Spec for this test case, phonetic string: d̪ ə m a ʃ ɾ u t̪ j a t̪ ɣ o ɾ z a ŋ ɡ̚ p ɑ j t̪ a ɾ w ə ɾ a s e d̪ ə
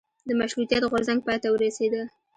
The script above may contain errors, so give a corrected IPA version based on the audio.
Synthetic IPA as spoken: d̪ ə m a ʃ ɾ u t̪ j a t̪ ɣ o ɾ z a ŋ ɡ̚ p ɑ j t̪ a w ə ɾ a s e d̪ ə